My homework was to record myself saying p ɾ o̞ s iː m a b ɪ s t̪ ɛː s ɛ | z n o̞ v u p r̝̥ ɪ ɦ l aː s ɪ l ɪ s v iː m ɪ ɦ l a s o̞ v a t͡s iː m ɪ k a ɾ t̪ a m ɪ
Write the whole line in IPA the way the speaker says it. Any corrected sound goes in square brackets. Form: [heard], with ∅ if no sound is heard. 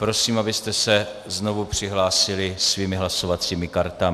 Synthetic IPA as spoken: p ɾ o̞ s iː m a b ɪ s t̪ [ɛ] s ɛ | z n o̞ v u p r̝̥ ɪ ɦ l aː s ɪ l ɪ s v iː m ɪ ɦ l a s o̞ v a t͡s iː m ɪ k a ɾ t̪ a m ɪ